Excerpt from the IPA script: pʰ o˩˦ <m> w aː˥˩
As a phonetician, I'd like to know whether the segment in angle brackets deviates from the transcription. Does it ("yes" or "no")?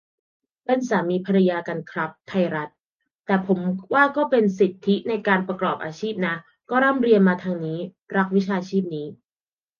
no